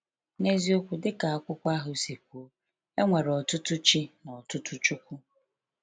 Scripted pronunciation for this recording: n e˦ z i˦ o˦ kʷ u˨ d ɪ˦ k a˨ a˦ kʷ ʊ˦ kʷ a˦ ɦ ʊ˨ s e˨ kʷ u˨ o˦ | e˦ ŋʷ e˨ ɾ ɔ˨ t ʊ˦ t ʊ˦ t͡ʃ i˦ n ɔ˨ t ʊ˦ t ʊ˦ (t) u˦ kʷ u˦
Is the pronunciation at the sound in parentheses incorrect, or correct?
incorrect